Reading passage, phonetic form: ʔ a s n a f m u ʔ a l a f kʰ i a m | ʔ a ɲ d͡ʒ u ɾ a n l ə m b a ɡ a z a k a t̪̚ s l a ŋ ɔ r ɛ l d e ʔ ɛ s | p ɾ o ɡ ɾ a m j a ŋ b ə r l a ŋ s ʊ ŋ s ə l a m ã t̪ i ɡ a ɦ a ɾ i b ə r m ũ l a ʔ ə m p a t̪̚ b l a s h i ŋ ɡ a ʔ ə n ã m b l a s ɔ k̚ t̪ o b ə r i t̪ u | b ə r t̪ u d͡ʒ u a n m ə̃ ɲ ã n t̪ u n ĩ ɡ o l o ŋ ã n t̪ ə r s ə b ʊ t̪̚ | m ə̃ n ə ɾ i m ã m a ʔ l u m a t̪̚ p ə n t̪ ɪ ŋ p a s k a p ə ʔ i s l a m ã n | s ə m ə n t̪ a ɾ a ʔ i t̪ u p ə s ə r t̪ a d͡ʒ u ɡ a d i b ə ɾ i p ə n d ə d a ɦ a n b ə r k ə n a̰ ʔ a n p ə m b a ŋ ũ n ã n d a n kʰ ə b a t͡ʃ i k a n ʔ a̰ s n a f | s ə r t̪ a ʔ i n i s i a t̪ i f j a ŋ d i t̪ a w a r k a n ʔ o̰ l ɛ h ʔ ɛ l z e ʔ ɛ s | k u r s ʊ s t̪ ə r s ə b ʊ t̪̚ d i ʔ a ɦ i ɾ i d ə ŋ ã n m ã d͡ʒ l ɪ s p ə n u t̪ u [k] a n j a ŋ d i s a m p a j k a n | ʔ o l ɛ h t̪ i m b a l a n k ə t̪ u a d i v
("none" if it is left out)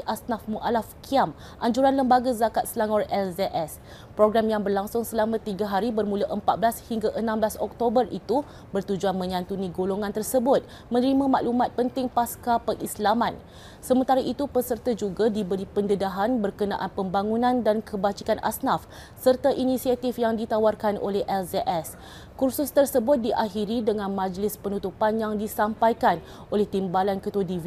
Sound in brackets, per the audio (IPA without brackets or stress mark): p